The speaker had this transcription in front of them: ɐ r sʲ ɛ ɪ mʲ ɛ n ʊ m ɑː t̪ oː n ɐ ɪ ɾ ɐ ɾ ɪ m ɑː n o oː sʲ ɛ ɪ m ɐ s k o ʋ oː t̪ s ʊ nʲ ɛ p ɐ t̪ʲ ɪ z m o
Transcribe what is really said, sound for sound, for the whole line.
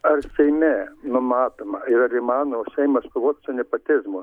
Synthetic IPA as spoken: ɐ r sʲ ɛ ɪ mʲ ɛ n ʊ m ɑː t̪ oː m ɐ ɪ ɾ ɐ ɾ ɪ m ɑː n o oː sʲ ɛ ɪ m ɐ s k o ʋ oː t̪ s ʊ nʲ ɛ p ɐ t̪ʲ ɪ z m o